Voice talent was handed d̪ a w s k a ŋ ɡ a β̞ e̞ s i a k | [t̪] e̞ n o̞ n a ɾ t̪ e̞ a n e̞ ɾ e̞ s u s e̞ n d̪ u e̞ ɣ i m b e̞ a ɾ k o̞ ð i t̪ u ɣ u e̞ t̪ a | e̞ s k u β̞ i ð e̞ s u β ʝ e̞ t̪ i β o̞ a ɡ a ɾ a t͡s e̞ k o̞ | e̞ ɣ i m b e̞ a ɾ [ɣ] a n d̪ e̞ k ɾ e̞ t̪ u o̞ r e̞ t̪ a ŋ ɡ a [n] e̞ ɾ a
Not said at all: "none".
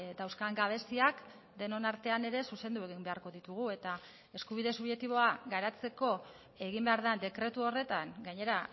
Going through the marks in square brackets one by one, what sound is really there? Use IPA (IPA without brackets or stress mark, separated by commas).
d̪, ð, ɲ